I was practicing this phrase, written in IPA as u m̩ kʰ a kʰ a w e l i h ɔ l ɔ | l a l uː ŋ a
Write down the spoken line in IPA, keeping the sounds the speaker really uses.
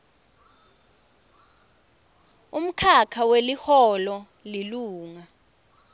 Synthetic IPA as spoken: u m̩ kʰ a kʰ a w e l i h ɔ l ɔ | l i l uː ŋ a

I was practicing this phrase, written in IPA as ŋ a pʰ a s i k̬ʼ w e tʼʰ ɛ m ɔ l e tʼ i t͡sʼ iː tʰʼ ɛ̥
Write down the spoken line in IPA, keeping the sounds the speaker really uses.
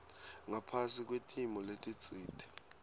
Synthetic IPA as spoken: ŋ a pʰ a s i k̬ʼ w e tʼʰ i m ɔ l e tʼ i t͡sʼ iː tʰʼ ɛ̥

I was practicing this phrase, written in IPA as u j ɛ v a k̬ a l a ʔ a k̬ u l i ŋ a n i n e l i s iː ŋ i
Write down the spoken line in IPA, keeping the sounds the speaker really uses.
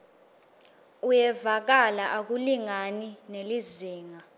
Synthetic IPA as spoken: u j ɛ v a k̬ a l a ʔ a k̬ u l i ŋ a n i n e l i z iː ŋ a

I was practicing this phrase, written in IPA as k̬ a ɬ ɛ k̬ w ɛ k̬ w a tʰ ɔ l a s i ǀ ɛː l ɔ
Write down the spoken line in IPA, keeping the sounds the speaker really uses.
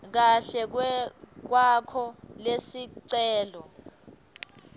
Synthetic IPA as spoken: k̬ a ɬ ɛ k̬ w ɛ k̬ w a kʰ ɔ l e s i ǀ ɛː l ɔ

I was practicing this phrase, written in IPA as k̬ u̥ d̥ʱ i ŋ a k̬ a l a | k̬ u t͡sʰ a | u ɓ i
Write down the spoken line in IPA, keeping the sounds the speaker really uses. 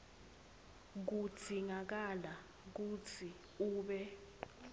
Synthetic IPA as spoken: k̬ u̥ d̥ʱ i ŋ a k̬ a l a | k̬ u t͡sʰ i | uː ɓ ɛ

